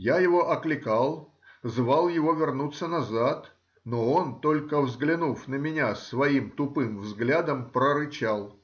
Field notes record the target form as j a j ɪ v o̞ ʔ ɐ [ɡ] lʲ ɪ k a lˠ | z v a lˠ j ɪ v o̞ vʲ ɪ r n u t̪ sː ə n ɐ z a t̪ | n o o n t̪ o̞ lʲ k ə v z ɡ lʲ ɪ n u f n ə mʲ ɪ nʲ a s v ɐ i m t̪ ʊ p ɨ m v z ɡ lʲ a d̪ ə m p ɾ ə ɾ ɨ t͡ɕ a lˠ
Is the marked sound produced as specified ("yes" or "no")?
no